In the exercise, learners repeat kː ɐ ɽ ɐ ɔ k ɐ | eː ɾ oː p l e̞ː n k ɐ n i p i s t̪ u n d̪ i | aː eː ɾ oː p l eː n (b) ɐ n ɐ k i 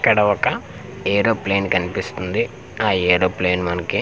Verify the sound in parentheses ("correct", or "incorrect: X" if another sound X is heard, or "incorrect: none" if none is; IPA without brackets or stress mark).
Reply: incorrect: m